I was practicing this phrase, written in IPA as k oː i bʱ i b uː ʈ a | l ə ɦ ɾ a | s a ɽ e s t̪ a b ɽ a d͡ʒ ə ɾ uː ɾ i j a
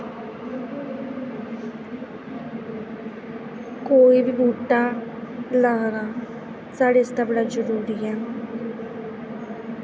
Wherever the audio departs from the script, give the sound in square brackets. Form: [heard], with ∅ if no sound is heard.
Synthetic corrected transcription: k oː i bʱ i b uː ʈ a | l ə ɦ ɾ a | s a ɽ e s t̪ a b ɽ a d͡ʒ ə ɾ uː ɾ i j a

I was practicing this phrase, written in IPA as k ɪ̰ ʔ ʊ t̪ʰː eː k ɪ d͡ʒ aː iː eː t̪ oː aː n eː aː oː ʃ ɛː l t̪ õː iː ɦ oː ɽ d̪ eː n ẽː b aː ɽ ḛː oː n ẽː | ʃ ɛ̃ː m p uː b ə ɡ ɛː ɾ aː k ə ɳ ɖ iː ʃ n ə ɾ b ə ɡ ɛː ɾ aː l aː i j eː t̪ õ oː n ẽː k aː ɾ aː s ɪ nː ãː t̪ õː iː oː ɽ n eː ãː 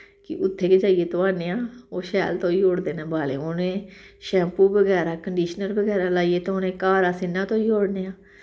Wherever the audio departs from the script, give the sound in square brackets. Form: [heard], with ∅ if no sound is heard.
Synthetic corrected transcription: k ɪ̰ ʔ ʊ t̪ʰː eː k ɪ d͡ʒ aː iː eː t̪ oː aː n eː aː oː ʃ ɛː l t̪ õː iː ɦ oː ɽ d̪ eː n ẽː b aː [l] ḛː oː n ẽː | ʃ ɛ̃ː m p uː b ə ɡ ɛː ɾ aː k ə ɳ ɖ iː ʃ n ə ɾ b ə ɡ ɛː ɾ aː l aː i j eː t̪ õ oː n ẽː k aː ɾ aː s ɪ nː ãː t̪ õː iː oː ɽ n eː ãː

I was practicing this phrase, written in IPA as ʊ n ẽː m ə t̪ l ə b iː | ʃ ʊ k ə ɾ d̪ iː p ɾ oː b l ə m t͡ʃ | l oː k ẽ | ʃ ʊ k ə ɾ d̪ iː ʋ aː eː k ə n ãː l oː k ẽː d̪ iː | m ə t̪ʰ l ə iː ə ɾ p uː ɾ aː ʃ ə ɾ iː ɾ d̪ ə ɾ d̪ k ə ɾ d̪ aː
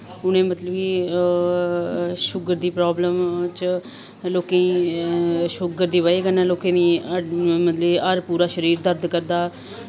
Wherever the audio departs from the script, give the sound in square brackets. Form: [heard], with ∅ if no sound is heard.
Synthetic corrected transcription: ʊ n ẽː m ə t̪ l ə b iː | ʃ ʊ [ɡ] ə ɾ d̪ iː p ɾ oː b l ə m t͡ʃ | l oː k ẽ | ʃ ʊ [ɡ] ə ɾ d̪ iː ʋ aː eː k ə n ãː l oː k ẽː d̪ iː | m ə [t̪] l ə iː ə ɾ p uː ɾ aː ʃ ə ɾ iː ɾ d̪ ə ɾ d̪ k ə ɾ d̪ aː

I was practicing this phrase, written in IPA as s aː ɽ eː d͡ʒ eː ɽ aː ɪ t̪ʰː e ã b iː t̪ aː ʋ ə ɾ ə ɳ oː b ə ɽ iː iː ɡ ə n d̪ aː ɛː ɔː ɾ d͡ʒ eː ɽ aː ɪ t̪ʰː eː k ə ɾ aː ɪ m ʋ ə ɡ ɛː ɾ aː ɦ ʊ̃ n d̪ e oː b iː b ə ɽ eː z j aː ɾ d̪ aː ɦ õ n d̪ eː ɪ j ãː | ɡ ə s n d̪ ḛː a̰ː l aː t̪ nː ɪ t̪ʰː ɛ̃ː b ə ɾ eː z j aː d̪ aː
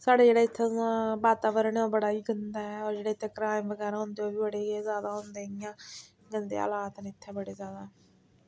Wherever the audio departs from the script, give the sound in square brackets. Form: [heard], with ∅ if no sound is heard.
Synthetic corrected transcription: s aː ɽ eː d͡ʒ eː ɽ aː ɪ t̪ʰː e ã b [aː] t̪ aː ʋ ə ɾ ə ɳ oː b ə ɽ [aː] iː ɡ ə n d̪ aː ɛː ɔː ɾ d͡ʒ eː ɽ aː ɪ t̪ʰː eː k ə ɾ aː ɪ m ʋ ə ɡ ɛː ɾ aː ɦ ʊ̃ n d̪ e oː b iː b ə ɽ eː z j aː [∅] d̪ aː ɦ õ n d̪ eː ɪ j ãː | ɡ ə [∅] n d̪ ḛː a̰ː l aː t̪ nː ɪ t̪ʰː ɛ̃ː b ə [ɽ] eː z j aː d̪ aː

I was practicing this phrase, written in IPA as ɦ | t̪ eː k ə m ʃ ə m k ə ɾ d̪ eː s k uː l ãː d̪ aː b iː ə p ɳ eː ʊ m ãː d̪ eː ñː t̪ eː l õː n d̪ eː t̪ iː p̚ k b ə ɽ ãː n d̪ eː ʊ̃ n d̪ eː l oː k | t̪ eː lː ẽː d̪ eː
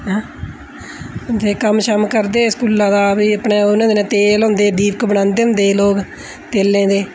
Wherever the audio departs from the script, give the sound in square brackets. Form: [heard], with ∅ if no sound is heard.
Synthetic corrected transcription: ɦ | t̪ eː k ə m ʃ ə m k ə ɾ d̪ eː s k uː l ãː d̪ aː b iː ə p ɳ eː ʊ [n] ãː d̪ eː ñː t̪ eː l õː n d̪ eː [d̪] iː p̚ k b ə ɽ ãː n d̪ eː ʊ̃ n d̪ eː l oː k | t̪ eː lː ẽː d̪ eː

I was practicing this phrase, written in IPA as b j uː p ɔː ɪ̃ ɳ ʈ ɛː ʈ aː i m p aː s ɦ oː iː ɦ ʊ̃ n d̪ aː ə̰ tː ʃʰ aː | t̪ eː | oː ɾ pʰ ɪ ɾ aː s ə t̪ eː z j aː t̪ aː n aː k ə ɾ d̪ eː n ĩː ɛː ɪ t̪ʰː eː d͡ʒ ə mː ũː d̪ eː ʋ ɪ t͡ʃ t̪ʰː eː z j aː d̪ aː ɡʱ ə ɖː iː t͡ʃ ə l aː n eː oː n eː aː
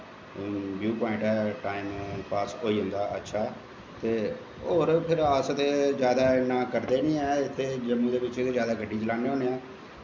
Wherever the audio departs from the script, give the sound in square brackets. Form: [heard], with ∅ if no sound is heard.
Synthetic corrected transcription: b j uː p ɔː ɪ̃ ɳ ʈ ɛː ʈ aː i m p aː s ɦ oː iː ɦ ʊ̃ n d̪ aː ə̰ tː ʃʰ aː | t̪ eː | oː ɾ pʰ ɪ ɾ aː s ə t̪ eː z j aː [d̪] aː n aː k ə ɾ d̪ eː n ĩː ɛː ɪ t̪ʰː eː d͡ʒ ə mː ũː d̪ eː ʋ ɪ t͡ʃ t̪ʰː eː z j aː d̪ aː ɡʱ ə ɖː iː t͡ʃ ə l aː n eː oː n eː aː

